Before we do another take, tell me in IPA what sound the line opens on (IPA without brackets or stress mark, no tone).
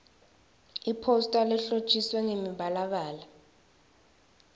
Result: i